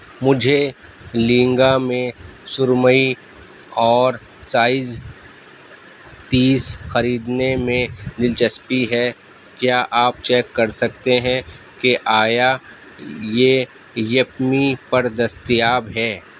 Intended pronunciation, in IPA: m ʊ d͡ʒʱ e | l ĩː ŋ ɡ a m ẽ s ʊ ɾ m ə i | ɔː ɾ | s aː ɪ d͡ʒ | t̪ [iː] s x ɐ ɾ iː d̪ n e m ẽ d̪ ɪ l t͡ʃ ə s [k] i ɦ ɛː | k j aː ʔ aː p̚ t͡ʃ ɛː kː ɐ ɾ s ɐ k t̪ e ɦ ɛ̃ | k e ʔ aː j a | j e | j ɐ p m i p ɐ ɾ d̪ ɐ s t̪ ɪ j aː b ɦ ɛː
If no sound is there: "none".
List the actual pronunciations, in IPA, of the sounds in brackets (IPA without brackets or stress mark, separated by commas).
iː, p